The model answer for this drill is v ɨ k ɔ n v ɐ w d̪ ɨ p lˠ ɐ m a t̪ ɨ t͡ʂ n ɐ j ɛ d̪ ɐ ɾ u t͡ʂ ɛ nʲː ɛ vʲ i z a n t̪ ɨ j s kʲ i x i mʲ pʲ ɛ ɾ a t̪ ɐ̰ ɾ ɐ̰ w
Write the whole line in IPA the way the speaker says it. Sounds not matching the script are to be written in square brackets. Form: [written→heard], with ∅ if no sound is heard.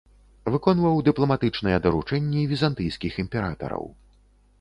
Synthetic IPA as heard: v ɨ k ɔ n v ɐ w d̪ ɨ p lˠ ɐ m a t̪ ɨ t͡ʂ n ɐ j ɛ d̪ ɐ ɾ u t͡ʂ ɛ nʲː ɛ vʲ i z a n t̪ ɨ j s kʲ i x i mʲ pʲ ɛ ɾ a t̪ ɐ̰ ɾ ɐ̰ w